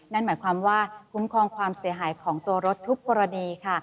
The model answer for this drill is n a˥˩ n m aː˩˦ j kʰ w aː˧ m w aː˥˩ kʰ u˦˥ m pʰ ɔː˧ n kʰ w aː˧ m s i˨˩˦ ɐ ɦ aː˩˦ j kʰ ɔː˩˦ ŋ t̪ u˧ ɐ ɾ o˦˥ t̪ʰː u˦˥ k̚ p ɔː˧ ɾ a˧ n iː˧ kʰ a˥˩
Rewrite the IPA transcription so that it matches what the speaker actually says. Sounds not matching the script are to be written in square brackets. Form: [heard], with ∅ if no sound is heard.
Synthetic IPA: n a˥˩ n m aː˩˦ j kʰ w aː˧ m w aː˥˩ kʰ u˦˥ m [kʰ] ɔː˧ [ŋ] kʰ w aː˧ m s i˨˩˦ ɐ ɦ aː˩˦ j kʰ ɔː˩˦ ŋ t̪ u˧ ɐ ɾ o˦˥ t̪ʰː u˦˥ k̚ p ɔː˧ ɾ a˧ n iː˧ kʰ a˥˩